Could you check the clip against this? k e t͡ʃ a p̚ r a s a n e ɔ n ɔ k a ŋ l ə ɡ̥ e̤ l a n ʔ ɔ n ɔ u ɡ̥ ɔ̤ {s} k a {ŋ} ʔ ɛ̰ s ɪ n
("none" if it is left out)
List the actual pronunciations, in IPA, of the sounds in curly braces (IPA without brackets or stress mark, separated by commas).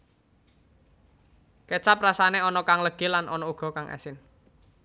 none, ŋ